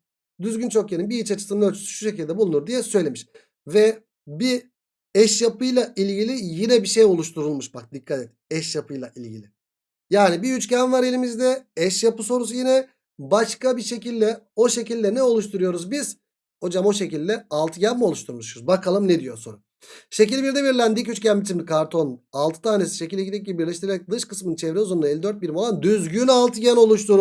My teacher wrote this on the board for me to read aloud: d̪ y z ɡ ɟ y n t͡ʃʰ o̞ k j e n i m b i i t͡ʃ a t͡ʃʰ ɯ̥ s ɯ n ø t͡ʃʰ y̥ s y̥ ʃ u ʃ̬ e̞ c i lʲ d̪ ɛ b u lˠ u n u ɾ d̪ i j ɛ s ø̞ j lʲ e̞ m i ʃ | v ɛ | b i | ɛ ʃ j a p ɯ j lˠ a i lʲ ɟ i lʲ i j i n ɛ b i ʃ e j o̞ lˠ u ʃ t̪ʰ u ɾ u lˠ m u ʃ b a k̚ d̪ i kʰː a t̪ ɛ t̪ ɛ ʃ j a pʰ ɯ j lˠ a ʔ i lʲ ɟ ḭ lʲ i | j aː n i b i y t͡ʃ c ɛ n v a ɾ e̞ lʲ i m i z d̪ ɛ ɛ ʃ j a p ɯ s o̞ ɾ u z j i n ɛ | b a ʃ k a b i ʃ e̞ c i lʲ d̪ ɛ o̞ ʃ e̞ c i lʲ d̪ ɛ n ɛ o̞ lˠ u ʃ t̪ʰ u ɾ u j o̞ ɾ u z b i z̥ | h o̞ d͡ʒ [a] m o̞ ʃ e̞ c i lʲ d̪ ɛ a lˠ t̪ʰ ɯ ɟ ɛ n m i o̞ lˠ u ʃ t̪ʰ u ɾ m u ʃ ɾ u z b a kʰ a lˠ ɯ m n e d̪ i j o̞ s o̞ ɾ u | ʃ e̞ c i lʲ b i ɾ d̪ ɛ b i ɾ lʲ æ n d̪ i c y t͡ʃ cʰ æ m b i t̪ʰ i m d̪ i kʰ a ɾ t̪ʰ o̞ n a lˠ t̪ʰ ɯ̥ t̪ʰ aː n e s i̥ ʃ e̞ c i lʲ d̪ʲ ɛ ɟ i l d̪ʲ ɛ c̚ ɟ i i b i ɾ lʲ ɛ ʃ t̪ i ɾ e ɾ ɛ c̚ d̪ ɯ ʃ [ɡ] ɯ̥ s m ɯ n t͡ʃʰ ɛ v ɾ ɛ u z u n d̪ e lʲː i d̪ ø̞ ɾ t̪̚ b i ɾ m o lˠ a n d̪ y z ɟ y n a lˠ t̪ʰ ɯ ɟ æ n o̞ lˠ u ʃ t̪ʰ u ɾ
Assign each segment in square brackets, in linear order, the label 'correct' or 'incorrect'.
correct, incorrect: k

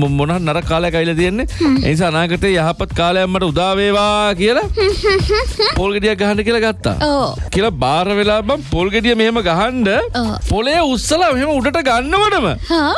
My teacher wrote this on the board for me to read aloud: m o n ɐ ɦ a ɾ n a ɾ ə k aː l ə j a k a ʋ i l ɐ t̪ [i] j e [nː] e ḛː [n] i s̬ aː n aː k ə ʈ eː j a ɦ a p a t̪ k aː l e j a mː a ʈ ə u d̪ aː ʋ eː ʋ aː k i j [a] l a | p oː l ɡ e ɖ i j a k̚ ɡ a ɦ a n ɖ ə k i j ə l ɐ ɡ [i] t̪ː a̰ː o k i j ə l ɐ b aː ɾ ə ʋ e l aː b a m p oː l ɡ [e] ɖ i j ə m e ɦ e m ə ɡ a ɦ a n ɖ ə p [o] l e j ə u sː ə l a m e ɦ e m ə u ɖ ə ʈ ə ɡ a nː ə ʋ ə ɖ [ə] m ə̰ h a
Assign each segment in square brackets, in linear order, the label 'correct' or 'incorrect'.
correct, correct, correct, incorrect: ə, incorrect: a, correct, correct, correct

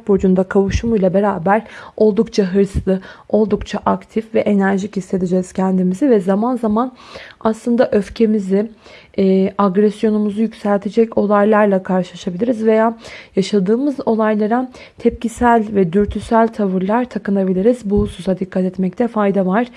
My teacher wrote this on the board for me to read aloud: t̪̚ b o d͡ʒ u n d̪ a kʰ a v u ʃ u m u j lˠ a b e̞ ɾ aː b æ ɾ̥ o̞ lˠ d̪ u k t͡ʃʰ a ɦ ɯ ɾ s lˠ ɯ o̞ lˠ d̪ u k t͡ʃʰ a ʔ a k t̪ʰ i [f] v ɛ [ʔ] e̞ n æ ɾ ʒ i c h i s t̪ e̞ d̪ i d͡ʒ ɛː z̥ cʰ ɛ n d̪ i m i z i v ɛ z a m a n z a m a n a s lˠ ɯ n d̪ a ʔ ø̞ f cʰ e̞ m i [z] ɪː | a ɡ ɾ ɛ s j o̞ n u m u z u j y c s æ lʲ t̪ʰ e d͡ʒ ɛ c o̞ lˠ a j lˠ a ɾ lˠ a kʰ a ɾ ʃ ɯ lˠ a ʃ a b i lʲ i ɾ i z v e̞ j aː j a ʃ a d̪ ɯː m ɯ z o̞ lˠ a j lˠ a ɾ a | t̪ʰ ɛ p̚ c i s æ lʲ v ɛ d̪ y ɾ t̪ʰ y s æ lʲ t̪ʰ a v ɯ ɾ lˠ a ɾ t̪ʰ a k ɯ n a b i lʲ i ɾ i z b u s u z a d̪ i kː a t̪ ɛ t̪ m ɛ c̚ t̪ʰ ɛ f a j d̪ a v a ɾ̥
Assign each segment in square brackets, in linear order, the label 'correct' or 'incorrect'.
correct, correct, correct

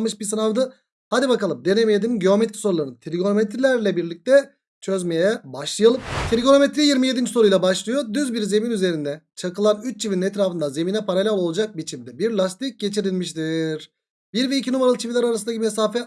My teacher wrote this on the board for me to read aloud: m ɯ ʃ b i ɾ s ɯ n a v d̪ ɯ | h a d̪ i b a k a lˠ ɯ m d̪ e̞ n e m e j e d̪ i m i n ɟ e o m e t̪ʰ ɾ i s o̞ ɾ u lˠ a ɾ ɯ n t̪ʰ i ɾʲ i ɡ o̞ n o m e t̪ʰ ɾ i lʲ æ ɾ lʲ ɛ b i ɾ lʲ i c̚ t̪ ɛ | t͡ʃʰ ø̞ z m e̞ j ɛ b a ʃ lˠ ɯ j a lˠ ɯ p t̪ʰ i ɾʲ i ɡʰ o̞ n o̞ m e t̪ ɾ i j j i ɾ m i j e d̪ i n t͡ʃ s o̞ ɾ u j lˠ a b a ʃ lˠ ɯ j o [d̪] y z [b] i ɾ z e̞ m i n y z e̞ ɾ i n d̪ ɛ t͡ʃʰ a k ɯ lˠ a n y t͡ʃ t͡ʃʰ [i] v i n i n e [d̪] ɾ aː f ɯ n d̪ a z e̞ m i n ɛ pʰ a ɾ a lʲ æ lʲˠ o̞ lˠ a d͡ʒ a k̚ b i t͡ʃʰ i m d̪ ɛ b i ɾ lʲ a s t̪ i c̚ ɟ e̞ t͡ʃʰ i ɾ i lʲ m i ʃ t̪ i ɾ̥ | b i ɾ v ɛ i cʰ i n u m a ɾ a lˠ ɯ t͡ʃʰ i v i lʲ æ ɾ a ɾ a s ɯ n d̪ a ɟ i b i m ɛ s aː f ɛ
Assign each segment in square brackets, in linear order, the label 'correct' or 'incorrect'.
correct, correct, correct, incorrect: t̪

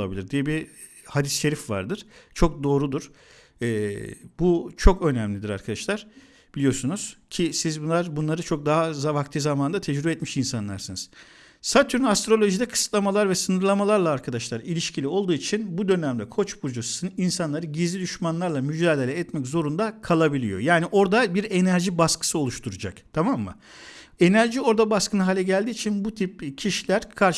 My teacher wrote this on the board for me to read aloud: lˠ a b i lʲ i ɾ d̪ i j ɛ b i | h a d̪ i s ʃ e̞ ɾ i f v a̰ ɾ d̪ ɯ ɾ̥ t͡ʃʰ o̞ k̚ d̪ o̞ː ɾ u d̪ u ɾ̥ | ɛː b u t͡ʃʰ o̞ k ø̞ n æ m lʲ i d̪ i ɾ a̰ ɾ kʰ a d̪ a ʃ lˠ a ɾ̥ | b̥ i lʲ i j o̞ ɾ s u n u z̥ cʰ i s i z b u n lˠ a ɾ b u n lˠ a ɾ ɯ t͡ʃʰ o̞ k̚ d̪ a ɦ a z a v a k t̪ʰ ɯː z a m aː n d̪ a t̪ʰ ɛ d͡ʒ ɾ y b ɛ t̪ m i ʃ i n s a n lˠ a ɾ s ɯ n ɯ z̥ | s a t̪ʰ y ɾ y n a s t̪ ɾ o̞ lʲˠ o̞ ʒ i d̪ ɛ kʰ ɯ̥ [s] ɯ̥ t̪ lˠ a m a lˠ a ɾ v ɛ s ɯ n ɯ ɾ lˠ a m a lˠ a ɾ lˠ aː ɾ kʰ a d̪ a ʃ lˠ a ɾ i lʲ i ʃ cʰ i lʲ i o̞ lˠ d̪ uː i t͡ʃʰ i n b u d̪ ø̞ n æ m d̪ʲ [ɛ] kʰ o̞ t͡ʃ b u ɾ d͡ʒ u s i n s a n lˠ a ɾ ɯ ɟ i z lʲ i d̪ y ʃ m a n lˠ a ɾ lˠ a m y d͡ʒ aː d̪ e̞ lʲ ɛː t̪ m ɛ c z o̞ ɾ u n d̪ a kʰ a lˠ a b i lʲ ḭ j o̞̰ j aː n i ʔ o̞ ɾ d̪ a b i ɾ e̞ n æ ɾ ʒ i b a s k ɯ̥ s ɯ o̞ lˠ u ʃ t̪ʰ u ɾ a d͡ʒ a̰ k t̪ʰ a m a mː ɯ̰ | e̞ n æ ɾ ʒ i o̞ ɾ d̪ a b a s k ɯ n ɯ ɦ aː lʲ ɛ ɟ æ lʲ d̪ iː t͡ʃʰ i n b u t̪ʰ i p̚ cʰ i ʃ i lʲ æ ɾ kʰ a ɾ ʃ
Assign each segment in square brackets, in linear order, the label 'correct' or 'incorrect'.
correct, correct

